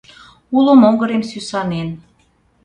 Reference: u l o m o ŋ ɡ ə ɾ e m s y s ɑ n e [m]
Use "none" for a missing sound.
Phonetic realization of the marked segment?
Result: n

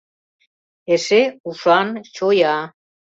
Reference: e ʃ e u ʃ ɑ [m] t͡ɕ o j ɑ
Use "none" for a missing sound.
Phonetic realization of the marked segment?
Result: n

